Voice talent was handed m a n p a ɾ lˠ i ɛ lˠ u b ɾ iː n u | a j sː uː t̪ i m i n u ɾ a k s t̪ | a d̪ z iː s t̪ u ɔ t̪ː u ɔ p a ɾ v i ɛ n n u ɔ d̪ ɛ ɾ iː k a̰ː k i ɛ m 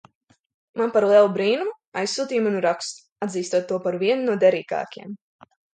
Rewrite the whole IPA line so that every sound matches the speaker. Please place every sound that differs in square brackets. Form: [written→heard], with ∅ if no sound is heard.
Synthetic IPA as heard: m a n p a ɾ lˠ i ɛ lˠ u b ɾ iː n u | a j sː uː t̪ [i→iː] m [i→a] n u ɾ a k s t̪ | a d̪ z iː s t̪ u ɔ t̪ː u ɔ p a ɾ v i ɛ n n u ɔ d̪ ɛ ɾ iː k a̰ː k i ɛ m